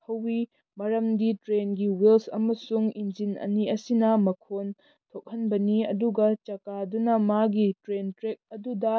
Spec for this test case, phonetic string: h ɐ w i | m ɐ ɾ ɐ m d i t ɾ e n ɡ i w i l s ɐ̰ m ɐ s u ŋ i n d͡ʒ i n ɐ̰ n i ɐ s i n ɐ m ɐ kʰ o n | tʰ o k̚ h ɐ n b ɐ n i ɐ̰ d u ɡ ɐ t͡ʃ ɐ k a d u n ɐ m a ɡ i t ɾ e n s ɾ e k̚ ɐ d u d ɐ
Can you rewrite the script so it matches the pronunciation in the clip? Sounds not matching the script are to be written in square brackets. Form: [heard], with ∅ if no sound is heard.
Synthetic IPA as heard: h ɐ w i | m ɐ ɾ ɐ m d i t ɾ e n ɡ i w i l s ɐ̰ m ɐ s u ŋ i n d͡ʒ i n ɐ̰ n i ɐ s i n ɐ m ɐ kʰ o n | tʰ o k̚ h ɐ n b ɐ n i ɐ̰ d u ɡ ɐ t͡ʃ ɐ k a d u n ɐ m a ɡ i t ɾ e n [t] ɾ e k̚ ɐ d u d ɐ